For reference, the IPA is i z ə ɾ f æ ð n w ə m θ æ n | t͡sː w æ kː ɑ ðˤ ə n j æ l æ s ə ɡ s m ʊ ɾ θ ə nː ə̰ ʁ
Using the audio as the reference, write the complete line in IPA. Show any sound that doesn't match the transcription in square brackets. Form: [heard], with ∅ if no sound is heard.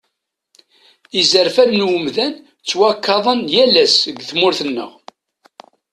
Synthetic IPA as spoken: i z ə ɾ f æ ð n w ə m [ð] æ n | t͡sː w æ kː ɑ ðˤ ə n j æ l æ s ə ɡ [θ] m ʊ ɾ θ ə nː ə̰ ʁ